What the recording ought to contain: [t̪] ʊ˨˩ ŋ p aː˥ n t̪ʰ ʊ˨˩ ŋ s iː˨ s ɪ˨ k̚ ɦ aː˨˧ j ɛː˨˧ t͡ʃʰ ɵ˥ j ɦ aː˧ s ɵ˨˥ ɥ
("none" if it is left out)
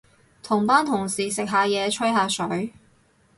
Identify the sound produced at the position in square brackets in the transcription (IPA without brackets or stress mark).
t̪ʰ